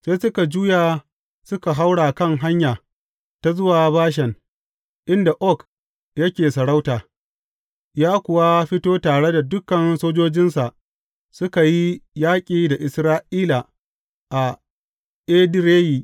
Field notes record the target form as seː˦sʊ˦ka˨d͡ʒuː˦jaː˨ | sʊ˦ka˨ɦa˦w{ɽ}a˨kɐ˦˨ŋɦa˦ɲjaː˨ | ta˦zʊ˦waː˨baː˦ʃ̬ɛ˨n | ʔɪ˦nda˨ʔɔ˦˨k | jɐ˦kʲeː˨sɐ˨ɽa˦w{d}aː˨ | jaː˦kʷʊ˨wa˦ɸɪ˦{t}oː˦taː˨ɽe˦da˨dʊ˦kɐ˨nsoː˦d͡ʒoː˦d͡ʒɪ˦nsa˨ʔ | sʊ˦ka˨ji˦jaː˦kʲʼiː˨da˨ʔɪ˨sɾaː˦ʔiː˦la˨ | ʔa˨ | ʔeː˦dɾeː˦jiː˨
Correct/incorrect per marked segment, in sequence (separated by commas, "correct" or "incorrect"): correct, incorrect, correct